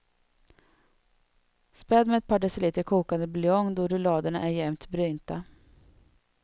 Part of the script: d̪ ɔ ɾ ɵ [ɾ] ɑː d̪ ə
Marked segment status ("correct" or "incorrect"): incorrect